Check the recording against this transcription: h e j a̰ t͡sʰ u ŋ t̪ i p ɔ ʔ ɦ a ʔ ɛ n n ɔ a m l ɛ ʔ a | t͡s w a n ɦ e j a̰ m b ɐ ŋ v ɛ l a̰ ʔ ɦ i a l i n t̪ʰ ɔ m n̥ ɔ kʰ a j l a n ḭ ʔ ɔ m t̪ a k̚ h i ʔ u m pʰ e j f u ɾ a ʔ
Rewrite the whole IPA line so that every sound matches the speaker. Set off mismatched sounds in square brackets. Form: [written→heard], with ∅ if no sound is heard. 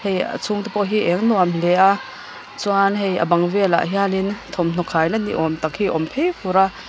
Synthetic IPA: h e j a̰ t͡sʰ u ŋ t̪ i p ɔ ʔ ɦ [a→i] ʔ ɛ [n→ŋ] n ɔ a m l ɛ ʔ a | t͡s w a n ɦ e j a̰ [m→∅] b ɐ ŋ v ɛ l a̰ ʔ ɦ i a l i n t̪ʰ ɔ m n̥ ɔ kʰ a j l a n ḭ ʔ ɔ m t̪ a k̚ h i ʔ [u→ɔ] m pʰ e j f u ɾ a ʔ